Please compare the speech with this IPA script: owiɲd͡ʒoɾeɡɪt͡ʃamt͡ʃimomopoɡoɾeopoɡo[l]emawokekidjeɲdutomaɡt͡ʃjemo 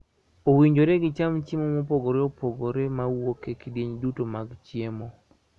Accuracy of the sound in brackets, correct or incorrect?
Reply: incorrect